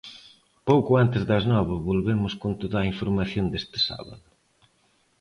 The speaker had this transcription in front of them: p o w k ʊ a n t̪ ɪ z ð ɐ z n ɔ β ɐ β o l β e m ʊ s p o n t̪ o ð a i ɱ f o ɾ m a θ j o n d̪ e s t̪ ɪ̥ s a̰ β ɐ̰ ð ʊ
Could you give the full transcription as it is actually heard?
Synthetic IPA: p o w k ʊ a n t̪ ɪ z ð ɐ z n ɔ β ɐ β o l β e m ʊ s k o n t̪ o ð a i ɱ f o ɾ m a θ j o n d̪ e s t̪ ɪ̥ s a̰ β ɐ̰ ð ʊ